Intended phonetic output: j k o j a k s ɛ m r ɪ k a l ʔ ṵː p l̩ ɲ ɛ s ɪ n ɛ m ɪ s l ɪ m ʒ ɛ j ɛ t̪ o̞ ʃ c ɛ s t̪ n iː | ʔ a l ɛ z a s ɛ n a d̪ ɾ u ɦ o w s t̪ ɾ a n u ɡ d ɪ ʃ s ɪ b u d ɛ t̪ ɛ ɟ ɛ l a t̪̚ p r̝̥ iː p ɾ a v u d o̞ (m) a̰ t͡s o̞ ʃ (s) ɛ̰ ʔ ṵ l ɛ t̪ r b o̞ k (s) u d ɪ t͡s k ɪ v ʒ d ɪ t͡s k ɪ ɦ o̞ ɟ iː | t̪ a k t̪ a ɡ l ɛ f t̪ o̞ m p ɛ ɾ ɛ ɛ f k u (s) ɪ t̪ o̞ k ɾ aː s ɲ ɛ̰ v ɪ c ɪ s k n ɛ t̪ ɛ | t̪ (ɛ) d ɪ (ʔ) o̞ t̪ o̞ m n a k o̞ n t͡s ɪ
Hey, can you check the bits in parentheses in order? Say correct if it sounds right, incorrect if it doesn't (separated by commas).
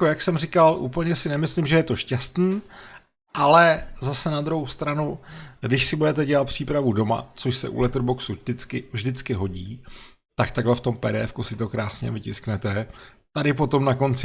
correct, correct, correct, correct, incorrect, incorrect